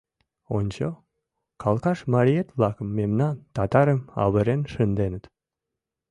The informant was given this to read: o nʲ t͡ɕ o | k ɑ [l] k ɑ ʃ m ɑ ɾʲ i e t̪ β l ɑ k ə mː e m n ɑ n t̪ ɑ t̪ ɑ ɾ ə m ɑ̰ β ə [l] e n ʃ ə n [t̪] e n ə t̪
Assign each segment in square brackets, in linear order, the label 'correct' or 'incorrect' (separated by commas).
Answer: correct, incorrect, incorrect